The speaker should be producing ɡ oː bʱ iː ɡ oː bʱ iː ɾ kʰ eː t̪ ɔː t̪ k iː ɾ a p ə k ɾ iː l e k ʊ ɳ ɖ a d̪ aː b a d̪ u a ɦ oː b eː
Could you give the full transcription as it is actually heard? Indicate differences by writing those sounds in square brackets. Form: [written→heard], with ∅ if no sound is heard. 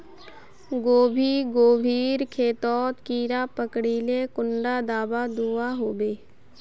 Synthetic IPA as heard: ɡ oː bʱ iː ɡ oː bʱ iː ɾ kʰ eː t̪ ɔː t̪ k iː ɾ a p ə k [ɾ→ɽ] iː l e k ʊ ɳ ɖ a d̪ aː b a d̪ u a ɦ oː b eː

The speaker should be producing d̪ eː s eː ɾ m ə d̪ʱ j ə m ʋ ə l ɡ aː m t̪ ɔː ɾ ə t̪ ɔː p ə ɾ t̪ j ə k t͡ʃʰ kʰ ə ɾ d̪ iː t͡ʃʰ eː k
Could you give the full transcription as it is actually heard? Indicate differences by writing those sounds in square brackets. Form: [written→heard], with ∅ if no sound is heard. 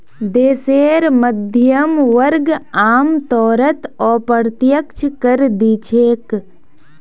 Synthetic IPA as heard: d̪ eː s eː ɾ m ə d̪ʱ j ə m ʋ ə [l→ɾ] ɡ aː m t̪ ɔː ɾ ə t̪ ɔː p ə ɾ t̪ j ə k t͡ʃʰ [kʰ→k] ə ɾ d̪ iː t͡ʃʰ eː k

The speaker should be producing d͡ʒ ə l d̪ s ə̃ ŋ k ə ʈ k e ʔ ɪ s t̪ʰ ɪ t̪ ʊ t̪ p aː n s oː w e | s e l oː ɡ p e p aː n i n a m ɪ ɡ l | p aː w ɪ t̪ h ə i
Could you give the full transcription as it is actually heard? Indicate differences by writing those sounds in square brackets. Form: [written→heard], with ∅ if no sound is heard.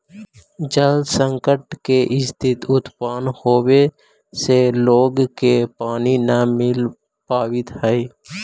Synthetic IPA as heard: d͡ʒ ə l d̪ s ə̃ ŋ k ə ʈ k e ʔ ɪ s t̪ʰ ɪ t̪ ʊ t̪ p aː n [s→h] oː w e | s e l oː ɡ [p→k] e p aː n i n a m ɪ [ɡ→∅] l | p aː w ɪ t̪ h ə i

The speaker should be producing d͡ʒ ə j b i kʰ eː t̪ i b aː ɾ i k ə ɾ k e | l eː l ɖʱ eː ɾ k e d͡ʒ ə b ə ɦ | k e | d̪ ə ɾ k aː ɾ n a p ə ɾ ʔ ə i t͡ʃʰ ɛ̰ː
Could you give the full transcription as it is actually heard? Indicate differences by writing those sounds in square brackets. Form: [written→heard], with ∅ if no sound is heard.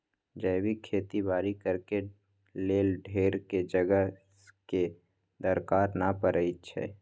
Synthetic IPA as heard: d͡ʒ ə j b i kʰ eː t̪ i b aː ɾ i k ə ɾ k e | l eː l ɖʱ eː ɾ k e d͡ʒ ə [b→ɡ] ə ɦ | k e | d̪ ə ɾ k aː ɾ n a p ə ɾ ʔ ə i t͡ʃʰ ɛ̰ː

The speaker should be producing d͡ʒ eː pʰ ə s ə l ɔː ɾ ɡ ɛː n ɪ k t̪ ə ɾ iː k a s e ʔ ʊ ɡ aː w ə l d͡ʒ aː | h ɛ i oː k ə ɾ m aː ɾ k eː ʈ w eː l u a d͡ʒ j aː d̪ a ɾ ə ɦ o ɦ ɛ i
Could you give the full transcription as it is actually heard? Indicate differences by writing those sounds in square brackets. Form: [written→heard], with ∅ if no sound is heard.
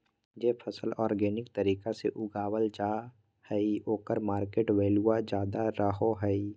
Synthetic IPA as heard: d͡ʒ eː pʰ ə s ə l ɔː ɾ ɡ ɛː n ɪ k t̪ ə ɾ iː k a s e ʔ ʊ ɡ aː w ə l d͡ʒ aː | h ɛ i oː k ə ɾ m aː ɾ k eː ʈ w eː l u a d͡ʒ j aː d̪ a ɾ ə ɦ o ɦ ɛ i

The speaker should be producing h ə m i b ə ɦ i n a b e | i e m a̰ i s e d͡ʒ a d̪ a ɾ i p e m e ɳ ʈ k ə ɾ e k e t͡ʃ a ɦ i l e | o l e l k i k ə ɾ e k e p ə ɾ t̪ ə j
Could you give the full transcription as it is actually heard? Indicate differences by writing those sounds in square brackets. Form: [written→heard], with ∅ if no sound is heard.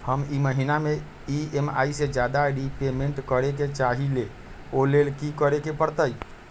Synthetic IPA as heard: h ə m i [b→m] ə ɦ i n a [b→m] e | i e m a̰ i s e d͡ʒ a d̪ a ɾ i p e m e ɳ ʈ k ə ɾ e k e t͡ʃ a ɦ i l e | o l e l k i k ə ɾ e k e p ə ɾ t̪ ə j

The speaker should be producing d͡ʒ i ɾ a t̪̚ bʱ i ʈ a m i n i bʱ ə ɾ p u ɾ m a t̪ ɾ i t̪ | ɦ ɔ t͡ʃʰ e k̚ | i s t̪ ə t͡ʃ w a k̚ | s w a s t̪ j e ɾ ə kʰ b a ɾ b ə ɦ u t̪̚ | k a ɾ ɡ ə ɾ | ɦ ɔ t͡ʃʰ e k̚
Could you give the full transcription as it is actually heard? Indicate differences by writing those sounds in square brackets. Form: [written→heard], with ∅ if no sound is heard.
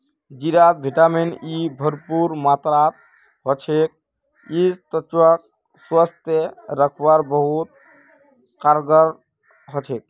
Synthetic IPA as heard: d͡ʒ i ɾ a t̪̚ bʱ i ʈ a m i n i bʱ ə ɾ p u ɾ m a t̪ ɾ [i→a] t̪ | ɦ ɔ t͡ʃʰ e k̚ | i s t̪ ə t͡ʃ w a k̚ | s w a s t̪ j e ɾ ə kʰ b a ɾ b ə ɦ u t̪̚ | k a ɾ ɡ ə ɾ | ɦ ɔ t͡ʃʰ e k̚

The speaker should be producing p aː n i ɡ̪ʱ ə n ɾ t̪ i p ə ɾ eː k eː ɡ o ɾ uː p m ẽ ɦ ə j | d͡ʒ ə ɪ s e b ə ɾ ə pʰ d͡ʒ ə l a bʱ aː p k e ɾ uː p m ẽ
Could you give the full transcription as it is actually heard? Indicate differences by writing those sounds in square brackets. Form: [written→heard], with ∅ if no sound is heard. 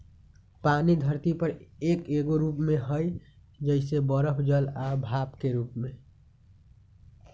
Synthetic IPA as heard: p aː n i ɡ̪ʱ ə [n→∅] ɾ t̪ i p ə ɾ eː k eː ɡ o ɾ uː p m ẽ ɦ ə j | d͡ʒ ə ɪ s e b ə ɾ ə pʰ d͡ʒ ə l a bʱ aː p k e ɾ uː p m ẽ

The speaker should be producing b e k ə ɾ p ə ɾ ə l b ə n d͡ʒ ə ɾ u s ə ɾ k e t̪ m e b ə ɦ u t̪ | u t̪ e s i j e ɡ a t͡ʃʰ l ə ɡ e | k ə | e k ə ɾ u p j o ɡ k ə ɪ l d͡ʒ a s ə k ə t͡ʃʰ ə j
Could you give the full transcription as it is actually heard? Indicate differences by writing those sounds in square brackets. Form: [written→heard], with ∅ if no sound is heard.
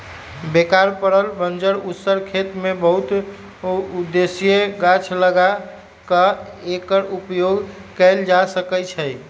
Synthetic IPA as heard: b e k [ə→a] ɾ p ə ɾ ə l b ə n d͡ʒ ə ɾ u s ə ɾ [k→kʰ] e t̪ m e b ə ɦ u t̪ | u [t̪→d̪] e s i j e ɡ a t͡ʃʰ l ə ɡ [e→a] | k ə | e k ə ɾ u p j o ɡ k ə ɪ l d͡ʒ a s ə k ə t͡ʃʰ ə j

